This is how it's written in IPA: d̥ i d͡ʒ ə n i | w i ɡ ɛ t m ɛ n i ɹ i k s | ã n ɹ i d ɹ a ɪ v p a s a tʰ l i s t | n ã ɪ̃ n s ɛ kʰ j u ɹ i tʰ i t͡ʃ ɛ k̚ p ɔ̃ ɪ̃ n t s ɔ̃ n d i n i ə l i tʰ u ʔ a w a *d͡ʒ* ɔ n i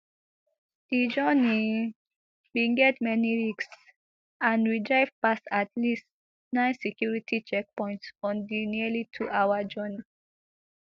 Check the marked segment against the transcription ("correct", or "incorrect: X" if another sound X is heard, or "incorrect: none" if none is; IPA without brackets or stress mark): correct